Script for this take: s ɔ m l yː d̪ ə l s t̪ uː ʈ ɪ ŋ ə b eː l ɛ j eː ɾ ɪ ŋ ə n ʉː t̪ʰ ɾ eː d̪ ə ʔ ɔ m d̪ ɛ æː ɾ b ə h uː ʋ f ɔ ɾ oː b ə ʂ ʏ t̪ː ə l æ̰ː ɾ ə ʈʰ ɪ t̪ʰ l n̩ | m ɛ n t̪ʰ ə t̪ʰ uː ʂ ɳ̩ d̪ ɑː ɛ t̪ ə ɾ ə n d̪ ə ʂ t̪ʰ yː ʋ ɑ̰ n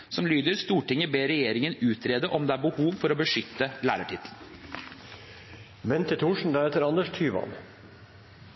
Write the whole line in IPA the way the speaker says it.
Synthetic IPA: s ɔ m l yː d̪ ə ɾ s t̪ uː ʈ ɪ ŋ ə b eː ɾ ɛ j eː ɾ ɪ ŋ ə n ʉː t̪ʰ ɾ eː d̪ ə ʔ ɔ m d̪ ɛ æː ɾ b ə h uː ʋ f ɔ ɾ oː b ə ʂ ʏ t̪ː ə l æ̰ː ɾ ə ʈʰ ɪ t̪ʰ l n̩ | m ɛ n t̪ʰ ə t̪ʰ uː ʂ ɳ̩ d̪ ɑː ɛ t̪ ə ɾ ɑ n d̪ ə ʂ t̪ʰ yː ʋ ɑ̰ n